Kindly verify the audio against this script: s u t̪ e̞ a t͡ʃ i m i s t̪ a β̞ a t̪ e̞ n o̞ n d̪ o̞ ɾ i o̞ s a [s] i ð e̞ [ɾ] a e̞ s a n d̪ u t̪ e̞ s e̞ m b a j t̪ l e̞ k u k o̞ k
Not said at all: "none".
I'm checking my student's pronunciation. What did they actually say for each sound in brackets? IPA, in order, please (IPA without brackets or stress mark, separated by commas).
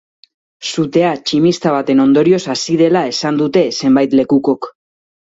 s, l